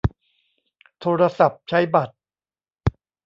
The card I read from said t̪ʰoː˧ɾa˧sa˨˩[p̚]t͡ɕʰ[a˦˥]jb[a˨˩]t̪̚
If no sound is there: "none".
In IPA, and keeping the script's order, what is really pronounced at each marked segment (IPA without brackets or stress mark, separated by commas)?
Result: p̚, a˦˥, a˨˩